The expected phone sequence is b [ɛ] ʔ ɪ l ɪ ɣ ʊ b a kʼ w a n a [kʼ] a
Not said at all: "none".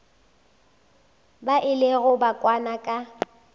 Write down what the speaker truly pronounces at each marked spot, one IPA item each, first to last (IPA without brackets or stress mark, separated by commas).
a, kʼ